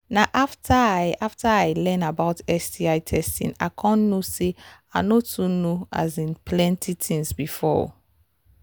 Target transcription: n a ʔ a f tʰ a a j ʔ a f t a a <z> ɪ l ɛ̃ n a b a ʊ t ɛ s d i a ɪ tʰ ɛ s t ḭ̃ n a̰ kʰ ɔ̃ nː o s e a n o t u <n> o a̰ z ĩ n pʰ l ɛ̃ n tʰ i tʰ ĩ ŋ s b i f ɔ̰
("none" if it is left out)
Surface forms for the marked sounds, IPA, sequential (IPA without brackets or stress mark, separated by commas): none, n